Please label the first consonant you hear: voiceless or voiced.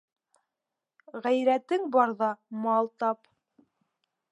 voiced